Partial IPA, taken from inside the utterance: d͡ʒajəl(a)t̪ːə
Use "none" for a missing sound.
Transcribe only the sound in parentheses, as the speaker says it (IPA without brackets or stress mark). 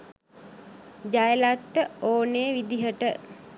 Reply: a